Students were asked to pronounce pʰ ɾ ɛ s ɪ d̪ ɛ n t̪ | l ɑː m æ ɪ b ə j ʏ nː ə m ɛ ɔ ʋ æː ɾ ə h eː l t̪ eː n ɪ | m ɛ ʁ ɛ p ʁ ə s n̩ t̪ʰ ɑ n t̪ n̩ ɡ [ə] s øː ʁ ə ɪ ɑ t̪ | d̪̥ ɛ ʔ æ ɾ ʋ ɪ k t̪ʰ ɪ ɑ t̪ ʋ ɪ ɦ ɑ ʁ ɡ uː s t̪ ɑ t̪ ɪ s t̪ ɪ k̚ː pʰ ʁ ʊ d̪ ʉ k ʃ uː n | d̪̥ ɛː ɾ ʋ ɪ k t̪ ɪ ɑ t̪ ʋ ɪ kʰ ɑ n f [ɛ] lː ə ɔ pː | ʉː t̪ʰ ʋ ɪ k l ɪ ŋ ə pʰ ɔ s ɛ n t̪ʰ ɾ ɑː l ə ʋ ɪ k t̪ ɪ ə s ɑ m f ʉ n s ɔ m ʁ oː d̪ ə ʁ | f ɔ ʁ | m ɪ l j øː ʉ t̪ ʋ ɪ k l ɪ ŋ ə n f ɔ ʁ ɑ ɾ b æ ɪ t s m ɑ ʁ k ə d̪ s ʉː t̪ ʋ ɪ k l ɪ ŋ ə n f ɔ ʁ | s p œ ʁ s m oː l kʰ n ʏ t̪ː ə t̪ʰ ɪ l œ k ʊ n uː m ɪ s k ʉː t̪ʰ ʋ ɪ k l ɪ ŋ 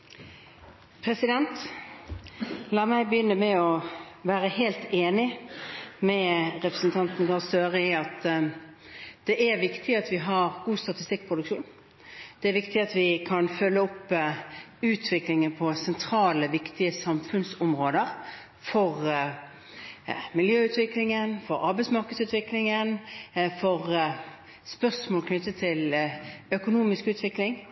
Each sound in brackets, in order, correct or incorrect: incorrect: ɑ, incorrect: œ

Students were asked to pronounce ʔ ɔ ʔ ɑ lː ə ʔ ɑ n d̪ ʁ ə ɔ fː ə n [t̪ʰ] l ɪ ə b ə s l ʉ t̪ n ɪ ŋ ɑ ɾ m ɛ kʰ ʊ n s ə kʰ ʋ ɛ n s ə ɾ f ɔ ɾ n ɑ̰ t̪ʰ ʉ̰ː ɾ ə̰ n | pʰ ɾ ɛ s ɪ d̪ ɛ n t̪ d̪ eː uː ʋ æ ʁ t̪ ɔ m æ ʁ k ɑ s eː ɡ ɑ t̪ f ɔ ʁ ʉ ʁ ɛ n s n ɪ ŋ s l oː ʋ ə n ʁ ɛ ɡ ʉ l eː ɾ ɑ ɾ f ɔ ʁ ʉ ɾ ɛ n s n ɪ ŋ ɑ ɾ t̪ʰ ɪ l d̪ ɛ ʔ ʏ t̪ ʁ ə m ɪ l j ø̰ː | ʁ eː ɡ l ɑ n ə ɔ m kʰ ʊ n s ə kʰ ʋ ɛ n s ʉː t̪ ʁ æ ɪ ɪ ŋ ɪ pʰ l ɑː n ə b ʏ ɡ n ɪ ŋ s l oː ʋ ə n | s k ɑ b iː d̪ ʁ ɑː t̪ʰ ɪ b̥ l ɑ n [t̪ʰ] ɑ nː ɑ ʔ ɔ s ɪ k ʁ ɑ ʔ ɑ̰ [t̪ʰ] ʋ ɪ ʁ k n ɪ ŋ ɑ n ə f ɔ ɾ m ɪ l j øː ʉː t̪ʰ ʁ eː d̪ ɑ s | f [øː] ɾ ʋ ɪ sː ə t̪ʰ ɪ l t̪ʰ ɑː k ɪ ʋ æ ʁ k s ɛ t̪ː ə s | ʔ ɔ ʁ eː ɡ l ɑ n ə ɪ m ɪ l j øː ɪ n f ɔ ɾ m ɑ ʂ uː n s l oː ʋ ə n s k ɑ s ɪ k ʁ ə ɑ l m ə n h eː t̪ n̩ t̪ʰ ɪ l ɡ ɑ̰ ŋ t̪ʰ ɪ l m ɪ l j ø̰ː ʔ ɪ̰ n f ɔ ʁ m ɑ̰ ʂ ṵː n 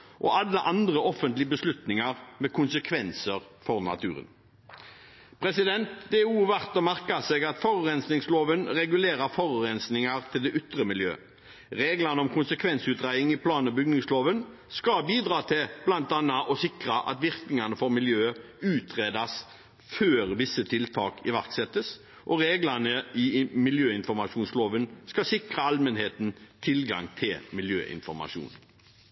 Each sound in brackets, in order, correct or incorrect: incorrect: t̪, incorrect: t̪, incorrect: t̪, correct

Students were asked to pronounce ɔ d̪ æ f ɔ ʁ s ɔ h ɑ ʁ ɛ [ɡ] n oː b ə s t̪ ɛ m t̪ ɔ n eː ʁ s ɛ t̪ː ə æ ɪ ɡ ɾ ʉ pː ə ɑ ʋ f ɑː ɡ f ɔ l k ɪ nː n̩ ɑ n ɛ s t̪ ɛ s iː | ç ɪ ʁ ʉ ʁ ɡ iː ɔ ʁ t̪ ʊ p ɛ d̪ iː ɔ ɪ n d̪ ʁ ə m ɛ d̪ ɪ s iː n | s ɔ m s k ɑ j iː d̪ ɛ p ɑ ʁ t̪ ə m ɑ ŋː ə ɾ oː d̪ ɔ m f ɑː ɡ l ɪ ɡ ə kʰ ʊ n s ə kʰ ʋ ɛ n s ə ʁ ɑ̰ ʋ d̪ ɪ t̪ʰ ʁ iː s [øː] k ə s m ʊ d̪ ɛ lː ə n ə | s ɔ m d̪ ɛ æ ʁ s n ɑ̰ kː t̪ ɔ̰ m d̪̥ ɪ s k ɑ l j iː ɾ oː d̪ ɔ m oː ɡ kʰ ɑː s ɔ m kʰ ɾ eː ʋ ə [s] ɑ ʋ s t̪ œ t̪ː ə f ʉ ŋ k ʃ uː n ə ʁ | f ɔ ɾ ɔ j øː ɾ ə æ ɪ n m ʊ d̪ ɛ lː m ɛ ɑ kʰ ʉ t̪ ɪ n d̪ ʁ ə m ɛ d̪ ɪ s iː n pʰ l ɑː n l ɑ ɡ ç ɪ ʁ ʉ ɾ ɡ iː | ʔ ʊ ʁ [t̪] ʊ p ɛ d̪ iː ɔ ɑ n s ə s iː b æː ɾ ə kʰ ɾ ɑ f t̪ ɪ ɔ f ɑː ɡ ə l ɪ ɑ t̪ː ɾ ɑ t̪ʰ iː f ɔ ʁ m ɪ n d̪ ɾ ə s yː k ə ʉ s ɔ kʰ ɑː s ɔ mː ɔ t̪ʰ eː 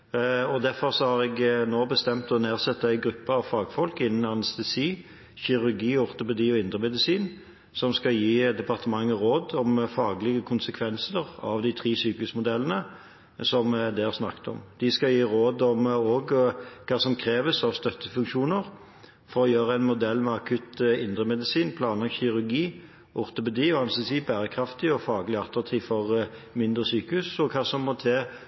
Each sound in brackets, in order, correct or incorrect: correct, incorrect: yː, correct, correct

